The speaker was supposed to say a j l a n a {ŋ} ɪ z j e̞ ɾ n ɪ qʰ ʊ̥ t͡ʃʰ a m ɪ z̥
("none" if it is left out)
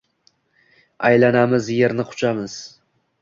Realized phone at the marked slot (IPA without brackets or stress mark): m